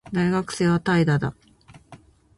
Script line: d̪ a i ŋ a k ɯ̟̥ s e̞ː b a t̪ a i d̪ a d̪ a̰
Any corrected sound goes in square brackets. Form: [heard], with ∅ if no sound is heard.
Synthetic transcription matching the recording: d̪ a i [ɡ] a k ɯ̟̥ s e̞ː [β] a t̪ a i d̪ a d̪ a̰